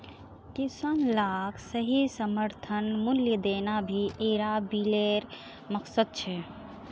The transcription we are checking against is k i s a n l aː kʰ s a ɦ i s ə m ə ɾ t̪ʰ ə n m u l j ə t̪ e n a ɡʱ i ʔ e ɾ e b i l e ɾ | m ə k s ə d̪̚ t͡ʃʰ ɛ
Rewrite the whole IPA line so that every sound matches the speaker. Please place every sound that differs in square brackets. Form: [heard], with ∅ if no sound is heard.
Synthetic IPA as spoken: k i s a n l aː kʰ s [ə] ɦ i s ə m ə ɾ t̪ʰ ə n m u l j ə [d̪] e n a [bʱ] i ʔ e ɾ [a] b i l e ɾ | m ə k s ə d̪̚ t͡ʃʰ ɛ

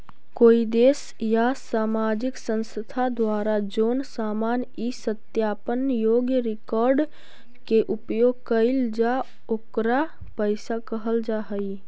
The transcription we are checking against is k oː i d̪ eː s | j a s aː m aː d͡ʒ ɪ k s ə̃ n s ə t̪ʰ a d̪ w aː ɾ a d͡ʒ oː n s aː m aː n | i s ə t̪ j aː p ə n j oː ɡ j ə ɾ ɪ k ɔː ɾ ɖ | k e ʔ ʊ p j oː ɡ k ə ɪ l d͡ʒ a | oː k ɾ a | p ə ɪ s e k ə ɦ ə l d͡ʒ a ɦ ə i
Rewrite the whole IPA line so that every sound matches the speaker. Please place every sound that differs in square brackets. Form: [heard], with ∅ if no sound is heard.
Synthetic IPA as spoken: k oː i d̪ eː s | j a s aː m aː d͡ʒ ɪ k s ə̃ n s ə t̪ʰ a d̪ w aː ɾ a d͡ʒ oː n s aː m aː n | i s ə t̪ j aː p ə n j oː ɡ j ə ɾ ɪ k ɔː ɾ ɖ | k e ʔ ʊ p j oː ɡ k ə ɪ l d͡ʒ a | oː k ɾ a | p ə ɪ s [a] k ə ɦ ə l d͡ʒ a ɦ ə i

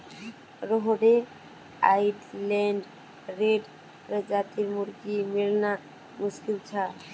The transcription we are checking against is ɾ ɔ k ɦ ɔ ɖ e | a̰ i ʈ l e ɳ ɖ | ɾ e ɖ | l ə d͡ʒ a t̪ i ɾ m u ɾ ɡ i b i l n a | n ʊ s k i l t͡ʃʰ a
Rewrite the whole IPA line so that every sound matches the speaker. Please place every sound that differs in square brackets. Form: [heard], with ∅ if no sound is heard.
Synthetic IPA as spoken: ɾ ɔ [∅] ɦ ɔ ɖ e | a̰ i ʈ l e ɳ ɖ | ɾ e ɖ | [ɾ] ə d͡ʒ a t̪ i ɾ m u ɾ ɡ i [m] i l n a | [m] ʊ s k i l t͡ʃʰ a

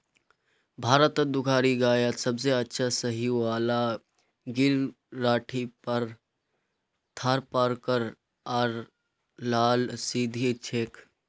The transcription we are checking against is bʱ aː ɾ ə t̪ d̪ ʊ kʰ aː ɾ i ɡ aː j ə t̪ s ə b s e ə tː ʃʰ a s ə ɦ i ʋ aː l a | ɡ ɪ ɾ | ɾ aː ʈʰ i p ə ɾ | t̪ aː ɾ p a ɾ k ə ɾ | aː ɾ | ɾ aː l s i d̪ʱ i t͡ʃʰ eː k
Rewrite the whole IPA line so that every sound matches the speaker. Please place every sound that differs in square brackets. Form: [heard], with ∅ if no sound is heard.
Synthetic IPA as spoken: bʱ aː ɾ ə t̪ d̪ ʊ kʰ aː ɾ i ɡ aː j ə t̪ s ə b s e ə tː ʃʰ a s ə ɦ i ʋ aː l a | ɡ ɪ ɾ | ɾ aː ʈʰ i p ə ɾ | [t̪ʰ] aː ɾ p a ɾ k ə ɾ | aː ɾ | [l] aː l s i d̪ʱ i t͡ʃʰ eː k

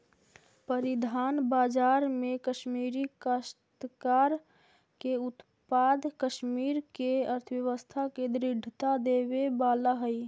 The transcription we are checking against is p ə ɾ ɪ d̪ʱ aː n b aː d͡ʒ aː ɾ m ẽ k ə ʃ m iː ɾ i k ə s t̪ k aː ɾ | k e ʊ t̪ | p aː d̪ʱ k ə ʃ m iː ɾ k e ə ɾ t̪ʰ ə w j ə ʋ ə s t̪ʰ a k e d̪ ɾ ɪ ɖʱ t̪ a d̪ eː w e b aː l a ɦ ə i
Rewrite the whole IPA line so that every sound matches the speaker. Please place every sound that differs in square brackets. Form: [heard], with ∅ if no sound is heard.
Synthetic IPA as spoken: p ə ɾ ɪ d̪ʱ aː n b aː d͡ʒ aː ɾ m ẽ k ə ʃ m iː ɾ i k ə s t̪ k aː ɾ | k e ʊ t̪ | p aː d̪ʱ k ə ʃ m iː ɾ k e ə ɾ t̪ʰ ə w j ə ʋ ə s t̪ʰ a k e d̪ ɾ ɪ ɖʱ t̪ a d̪ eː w e b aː l a ɦ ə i

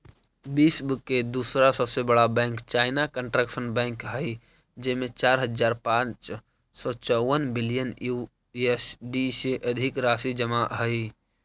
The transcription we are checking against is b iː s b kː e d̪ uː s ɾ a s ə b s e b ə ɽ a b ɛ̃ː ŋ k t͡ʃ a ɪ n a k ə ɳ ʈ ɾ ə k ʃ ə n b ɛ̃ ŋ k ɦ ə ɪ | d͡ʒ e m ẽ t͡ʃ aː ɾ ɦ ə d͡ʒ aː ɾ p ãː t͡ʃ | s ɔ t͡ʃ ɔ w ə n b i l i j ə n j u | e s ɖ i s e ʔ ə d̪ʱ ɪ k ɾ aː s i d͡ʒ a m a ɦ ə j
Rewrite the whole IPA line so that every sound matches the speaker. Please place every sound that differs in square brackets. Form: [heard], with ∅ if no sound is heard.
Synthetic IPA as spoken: b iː s b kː e d̪ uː s ɾ a s ə b s e b ə ɽ a b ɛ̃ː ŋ k t͡ʃ a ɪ n a k ə ɳ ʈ ɾ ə k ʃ ə n b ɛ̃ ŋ k ɦ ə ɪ | d͡ʒ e m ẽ t͡ʃ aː ɾ ɦ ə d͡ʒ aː ɾ p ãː t͡ʃ | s ɔ t͡ʃ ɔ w ə n b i l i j ə n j u | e s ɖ i s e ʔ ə d̪ʱ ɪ k ɾ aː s i d͡ʒ [ə] m a ɦ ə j

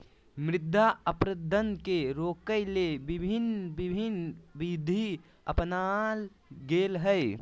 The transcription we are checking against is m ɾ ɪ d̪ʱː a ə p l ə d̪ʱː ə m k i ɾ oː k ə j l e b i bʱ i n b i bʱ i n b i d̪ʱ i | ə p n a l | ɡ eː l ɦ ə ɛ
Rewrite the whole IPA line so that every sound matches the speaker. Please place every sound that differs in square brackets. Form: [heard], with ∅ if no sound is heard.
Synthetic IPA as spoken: m ɾ ɪ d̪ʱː a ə p [ɾ] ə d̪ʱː ə [n] k [e] ɾ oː k ə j l e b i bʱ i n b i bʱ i n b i d̪ʱ i | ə p n a l | ɡ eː l ɦ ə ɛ

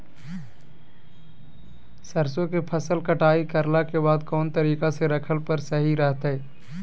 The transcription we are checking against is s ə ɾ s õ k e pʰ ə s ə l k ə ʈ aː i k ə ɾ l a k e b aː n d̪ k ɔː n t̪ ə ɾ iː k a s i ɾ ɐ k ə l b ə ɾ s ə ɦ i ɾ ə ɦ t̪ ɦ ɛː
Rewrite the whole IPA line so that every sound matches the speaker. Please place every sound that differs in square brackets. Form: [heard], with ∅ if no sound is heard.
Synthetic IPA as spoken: s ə ɾ s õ k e pʰ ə s ə l k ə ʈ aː i k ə ɾ l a k e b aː [∅] d̪ k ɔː n t̪ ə ɾ iː k a s [e] ɾ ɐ [kʰ] ə l [p] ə ɾ s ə ɦ i ɾ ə ɦ t̪ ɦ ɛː

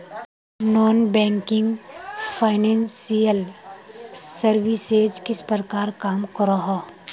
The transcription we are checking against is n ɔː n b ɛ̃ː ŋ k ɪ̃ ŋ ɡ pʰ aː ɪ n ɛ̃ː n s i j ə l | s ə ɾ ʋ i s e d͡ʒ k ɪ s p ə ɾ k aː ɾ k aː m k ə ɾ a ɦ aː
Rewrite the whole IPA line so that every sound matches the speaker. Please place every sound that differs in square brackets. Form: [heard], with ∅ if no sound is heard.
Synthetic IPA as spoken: n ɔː n b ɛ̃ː ŋ k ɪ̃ ŋ ɡ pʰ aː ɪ n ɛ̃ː n s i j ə l | s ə ɾ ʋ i s e d͡ʒ k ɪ s p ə ɾ k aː ɾ k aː m k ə ɾ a ɦ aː

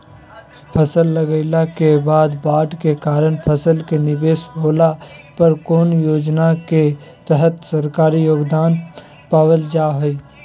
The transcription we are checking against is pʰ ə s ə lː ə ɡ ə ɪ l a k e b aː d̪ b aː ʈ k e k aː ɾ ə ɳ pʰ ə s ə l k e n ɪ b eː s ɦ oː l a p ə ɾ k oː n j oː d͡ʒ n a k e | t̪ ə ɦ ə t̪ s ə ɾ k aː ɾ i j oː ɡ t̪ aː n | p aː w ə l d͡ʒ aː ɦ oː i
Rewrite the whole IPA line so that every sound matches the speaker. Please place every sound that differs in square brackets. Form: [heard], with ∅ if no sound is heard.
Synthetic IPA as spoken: pʰ ə s ə lː ə ɡ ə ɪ l a k e b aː d̪ b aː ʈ k e k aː ɾ ə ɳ pʰ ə s ə l k e n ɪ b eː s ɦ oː l a p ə ɾ k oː n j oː d͡ʒ n a k e | t̪ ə ɦ ə t̪ s ə ɾ k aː ɾ i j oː ɡ [d̪] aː n | p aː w ə l d͡ʒ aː ɦ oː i

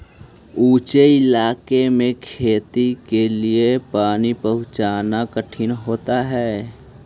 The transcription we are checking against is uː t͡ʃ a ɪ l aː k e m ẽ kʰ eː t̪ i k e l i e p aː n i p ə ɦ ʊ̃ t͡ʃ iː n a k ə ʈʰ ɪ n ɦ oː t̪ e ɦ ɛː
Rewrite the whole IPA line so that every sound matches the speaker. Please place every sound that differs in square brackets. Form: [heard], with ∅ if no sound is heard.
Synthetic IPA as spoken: uː t͡ʃ [e] ɪ l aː k e m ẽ kʰ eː t̪ i k e l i e p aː n i p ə ɦ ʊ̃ t͡ʃ [aː] n a k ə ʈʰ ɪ n ɦ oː t̪ [a] ɦ ɛː

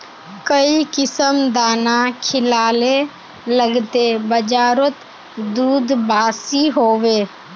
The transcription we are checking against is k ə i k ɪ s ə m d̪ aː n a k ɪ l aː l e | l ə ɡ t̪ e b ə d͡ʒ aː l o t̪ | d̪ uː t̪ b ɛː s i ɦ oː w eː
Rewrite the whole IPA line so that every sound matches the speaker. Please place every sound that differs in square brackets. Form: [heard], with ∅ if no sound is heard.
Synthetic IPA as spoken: k ə i k ɪ s ə m d̪ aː n a [kʰ] ɪ l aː l e | l ə ɡ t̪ e b ə d͡ʒ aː [ɾ] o t̪ | d̪ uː [d̪] b [aː] s i ɦ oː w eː

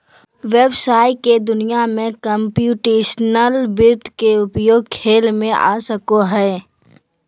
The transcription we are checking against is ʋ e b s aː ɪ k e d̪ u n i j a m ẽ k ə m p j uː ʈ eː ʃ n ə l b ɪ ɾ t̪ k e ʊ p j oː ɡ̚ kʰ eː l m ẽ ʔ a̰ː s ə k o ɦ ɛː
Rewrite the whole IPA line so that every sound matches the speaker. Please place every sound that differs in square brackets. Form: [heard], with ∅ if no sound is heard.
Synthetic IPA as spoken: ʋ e b s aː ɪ k e d̪ [ʊ] n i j a m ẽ k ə m p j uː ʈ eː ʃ n ə l b ɪ ɾ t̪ k e ʊ p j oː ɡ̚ kʰ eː l m ẽ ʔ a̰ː s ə k o ɦ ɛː

